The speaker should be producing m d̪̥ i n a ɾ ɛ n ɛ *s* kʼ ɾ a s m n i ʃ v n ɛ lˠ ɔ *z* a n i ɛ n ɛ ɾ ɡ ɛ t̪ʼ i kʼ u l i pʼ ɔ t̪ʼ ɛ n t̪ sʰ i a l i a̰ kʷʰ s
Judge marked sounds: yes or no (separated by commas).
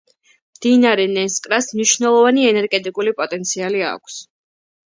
yes, no